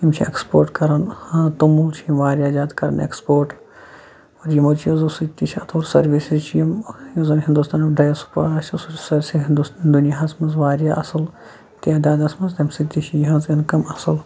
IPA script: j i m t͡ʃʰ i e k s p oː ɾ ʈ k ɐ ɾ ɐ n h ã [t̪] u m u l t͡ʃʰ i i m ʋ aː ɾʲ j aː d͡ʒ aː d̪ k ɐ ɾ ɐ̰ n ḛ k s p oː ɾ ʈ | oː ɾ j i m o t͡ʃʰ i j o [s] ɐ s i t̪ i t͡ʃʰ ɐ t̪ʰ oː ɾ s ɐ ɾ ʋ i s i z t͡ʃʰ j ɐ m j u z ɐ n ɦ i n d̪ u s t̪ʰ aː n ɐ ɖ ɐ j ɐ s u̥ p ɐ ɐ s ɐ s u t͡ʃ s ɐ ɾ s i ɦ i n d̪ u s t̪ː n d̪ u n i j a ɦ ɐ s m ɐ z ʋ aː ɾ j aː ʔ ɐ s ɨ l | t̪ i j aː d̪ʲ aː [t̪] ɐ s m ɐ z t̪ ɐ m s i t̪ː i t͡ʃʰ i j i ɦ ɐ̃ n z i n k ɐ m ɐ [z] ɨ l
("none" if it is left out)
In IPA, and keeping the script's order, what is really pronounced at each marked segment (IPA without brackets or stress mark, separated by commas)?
t̪, z, d̪, s